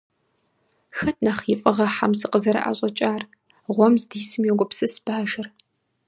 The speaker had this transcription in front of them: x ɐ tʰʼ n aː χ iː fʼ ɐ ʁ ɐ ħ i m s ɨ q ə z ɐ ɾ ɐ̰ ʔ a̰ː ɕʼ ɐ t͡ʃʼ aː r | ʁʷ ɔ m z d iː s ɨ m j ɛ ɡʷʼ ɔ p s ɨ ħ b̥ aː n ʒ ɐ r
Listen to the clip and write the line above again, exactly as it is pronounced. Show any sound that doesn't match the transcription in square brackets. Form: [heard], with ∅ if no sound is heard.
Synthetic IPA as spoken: x ɐ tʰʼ n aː χ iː fʼ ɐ ʁ ɐ ħ [a] m s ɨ q ə z ɐ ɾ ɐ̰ ʔ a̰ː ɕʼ ɐ t͡ʃʼ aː r | ʁʷ ɔ m z d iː s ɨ m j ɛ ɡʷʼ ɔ p s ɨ [s] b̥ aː [∅] ʒ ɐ r